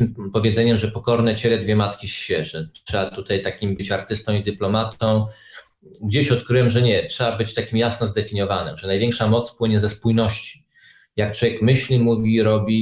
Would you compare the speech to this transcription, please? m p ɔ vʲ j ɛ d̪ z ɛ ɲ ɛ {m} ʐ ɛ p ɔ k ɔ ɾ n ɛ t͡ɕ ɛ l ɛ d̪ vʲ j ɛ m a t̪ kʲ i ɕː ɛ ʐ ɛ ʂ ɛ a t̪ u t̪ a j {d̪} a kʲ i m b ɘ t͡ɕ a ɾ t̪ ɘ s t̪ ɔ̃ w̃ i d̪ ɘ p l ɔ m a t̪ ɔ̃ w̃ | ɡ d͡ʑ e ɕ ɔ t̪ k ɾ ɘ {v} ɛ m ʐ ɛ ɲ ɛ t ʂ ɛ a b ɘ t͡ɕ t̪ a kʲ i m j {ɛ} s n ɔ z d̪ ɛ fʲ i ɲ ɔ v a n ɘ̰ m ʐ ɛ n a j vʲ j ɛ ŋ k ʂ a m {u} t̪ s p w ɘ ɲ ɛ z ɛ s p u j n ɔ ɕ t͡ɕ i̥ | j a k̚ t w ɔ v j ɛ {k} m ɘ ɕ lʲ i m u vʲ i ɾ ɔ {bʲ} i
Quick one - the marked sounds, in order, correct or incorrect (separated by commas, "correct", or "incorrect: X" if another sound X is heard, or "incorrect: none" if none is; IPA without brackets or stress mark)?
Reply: correct, incorrect: t̪, incorrect: w, incorrect: a, incorrect: ɔ, correct, correct